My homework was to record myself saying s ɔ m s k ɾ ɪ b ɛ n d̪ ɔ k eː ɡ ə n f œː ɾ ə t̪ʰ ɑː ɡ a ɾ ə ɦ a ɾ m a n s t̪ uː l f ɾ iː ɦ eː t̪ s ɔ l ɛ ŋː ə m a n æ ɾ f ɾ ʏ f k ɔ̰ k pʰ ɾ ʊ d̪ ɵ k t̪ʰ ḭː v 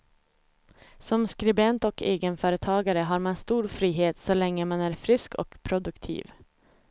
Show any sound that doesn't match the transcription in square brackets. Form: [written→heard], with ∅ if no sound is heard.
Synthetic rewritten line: s ɔ m s k ɾ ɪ b ɛ n [d̪→t̪] ɔ k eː ɡ ə n f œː ɾ ə t̪ʰ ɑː ɡ a ɾ ə ɦ a ɾ m a n s t̪ uː [l→ɾ] f ɾ iː ɦ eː t̪ s ɔ l ɛ ŋː ə m a n æ ɾ f ɾ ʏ [f→s] k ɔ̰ k pʰ ɾ ʊ d̪ ɵ k t̪ʰ ḭː v